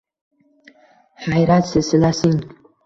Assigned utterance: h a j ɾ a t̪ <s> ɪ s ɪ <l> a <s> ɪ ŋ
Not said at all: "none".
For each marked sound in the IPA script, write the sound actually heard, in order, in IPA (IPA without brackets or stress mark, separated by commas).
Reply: s, l, s